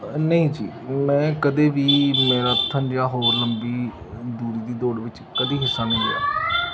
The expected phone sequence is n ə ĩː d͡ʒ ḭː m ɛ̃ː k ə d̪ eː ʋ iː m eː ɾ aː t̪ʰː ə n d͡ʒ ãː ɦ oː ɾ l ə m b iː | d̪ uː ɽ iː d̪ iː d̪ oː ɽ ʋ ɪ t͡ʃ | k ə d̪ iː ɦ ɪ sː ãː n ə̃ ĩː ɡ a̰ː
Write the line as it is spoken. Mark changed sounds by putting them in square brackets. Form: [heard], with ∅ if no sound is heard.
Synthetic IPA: n ə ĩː d͡ʒ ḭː m ɛ̃ː k ə d̪ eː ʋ iː m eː ɾ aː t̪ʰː ə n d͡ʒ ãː ɦ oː ɾ l ə m b iː | d̪ uː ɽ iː d̪ iː d̪ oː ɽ ʋ ɪ t͡ʃ | k ə d̪ iː ɦ ɪ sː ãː n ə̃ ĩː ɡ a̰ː